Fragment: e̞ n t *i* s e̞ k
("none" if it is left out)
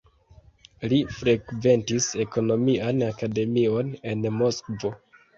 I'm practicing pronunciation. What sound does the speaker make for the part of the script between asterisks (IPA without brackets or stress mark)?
i